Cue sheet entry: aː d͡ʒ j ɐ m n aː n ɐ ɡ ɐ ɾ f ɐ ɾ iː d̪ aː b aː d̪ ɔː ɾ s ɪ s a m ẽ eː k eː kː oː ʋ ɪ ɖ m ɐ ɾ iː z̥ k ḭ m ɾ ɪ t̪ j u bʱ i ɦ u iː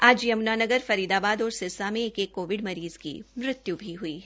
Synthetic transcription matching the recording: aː d͡ʒ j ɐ m n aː n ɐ ɡ ə ɾ f ɐ ɾ iː d̪ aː b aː d̪ ɔː ɾ s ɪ s a m ẽ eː k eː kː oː ʋ ɪ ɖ m ɐ ɾ iː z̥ k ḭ m ɾ ɪ t̪ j u bʱ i ɦ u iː